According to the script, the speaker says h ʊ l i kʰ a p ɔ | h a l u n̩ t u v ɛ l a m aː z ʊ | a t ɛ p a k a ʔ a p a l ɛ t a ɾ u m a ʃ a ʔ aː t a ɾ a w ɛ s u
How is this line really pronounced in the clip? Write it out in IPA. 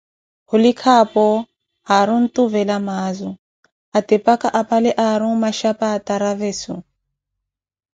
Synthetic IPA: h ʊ l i kʰ a p ɔ | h a ɾ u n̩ t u v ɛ l a m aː z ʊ | a t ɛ p a k a ʔ a p a l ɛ ʔ a ɾ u m a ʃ a p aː t a ɾ a v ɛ s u